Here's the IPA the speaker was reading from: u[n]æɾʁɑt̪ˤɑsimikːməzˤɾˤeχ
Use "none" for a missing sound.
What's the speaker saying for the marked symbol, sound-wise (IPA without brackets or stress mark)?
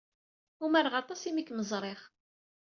m